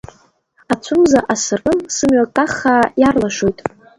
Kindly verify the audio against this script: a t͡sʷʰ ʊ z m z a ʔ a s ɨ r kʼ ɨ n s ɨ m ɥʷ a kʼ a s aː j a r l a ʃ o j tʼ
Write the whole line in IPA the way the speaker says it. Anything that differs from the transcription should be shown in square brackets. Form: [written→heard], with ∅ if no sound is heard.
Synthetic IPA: a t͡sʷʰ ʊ [z→∅] m z a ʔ a s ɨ r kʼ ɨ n s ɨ m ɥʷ a kʼ a [s→χ] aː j a r l a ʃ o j tʼ